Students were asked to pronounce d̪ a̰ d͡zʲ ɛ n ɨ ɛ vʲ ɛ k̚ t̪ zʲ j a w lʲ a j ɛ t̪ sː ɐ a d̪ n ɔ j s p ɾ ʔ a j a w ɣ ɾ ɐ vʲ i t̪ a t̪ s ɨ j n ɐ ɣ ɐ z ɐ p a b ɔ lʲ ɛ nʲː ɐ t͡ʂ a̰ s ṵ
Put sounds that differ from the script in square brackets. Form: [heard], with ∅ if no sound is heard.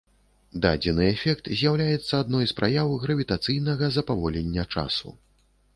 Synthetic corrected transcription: d̪ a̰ d͡zʲ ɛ n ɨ ɛ [fʲ] ɛ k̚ t̪ zʲ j a w lʲ a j ɛ t̪ sː ɐ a d̪ n ɔ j s p ɾ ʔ a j a w ɣ ɾ ɐ vʲ i t̪ a t̪ s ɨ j n ɐ ɣ ɐ z ɐ p a [v] ɔ lʲ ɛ nʲː ɐ t͡ʂ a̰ s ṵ